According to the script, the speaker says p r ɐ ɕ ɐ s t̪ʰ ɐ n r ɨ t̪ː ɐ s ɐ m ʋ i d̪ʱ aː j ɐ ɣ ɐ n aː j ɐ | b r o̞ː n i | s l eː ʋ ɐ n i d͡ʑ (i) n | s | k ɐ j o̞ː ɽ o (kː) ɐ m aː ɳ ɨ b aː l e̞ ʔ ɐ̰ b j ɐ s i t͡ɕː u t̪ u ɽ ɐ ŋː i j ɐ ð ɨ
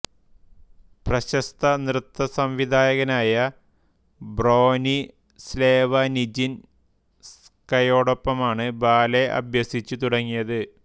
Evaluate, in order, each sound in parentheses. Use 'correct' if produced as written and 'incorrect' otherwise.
correct, incorrect

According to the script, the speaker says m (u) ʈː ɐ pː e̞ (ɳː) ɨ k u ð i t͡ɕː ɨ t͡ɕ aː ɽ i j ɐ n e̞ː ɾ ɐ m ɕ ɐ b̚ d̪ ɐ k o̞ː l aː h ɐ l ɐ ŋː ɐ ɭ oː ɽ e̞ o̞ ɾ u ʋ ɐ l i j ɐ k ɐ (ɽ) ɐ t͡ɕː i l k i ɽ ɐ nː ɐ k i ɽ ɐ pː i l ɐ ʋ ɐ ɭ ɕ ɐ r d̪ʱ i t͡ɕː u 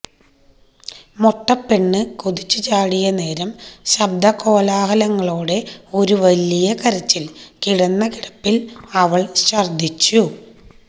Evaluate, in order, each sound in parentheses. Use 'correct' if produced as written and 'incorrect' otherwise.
incorrect, correct, incorrect

